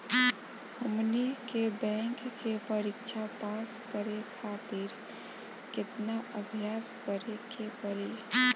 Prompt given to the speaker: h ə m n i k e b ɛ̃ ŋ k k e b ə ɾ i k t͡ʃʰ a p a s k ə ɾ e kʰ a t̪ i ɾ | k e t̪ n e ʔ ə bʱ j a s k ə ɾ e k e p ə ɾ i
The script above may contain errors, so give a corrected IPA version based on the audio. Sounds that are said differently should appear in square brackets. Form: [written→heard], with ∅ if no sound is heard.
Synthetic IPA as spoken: h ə m n i k e b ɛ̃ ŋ k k e [b→p] ə ɾ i k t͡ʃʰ a p a s k ə ɾ e kʰ a t̪ i ɾ | k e t̪ n [e→a] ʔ ə bʱ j a s k ə ɾ e k e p ə ɾ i